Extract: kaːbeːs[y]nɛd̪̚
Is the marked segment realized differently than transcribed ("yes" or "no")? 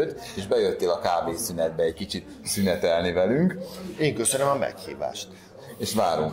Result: no